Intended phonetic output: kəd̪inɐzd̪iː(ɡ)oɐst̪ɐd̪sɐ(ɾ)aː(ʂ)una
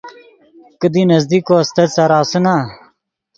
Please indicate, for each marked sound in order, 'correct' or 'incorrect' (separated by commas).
incorrect, correct, incorrect